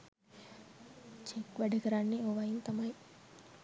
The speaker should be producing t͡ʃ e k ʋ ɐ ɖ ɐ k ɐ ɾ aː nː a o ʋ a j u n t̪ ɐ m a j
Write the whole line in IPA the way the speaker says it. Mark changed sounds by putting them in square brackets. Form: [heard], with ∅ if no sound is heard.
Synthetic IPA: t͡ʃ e k ʋ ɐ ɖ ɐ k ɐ ɾ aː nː [i] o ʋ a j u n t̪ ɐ m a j